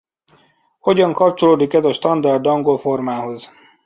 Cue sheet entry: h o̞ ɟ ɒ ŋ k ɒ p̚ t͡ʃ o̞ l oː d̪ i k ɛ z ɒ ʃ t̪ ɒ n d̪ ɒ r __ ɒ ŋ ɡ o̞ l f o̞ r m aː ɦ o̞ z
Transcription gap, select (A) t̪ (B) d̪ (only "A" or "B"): B